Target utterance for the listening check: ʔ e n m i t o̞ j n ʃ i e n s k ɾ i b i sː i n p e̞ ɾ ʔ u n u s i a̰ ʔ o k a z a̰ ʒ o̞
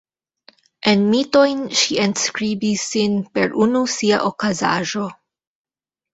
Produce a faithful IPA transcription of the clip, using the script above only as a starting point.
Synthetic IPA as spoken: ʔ e n m i t o̞ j n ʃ i e n s k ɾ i b i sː i n p e̞ ɾ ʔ u n u s i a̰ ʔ o k a z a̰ ʒ o̞